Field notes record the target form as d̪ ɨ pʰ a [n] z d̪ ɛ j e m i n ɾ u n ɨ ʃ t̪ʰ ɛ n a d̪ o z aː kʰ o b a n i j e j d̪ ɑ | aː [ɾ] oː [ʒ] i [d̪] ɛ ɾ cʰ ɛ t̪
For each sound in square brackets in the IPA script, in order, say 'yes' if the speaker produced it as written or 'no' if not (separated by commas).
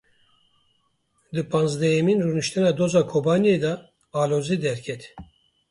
yes, no, no, yes